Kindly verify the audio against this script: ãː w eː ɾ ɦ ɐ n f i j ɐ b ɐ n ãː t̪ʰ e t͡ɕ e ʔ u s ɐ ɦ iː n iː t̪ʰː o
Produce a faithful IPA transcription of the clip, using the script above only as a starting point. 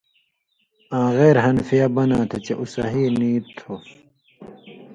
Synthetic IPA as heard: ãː ɣ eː ɾ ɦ ɐ n f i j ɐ b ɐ n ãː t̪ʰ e t͡ɕ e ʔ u s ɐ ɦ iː n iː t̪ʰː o